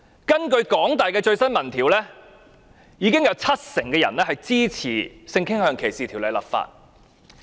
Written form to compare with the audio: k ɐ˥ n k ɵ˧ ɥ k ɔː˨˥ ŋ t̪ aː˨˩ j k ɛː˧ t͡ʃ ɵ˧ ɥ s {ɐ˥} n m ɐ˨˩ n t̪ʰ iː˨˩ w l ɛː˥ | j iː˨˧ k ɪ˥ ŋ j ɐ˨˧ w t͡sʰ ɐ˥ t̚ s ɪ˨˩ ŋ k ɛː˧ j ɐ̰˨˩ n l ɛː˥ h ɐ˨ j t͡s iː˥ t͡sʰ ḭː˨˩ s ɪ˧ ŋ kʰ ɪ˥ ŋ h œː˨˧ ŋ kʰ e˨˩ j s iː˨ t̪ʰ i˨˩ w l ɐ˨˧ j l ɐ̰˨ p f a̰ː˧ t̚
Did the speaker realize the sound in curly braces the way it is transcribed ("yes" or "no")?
yes